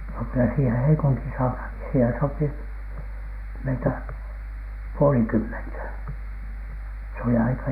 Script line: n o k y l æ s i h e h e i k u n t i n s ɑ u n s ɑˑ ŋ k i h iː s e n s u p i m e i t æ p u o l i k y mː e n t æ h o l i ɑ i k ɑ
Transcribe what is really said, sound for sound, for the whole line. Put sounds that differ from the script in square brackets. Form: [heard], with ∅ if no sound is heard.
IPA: n o k y l æ s [iː] h e h e i k u n t i n s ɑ u n [h] ɑˑ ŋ k i [s] iː [h] e n s [o] p i m e i t æ p u o l i k y mː e n t æ [s] o l i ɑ i k ɑ